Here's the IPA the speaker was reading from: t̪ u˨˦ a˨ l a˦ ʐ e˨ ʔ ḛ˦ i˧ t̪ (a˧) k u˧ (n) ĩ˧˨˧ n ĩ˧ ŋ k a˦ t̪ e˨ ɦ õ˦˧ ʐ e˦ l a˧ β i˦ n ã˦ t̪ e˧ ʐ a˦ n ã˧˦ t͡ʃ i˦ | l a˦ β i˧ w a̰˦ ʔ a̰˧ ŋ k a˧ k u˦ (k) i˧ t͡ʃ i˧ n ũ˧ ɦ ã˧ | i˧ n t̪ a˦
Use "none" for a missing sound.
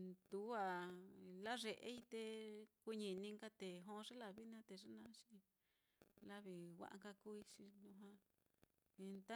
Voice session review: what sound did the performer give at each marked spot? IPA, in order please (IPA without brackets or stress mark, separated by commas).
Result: e˧, ɲ, none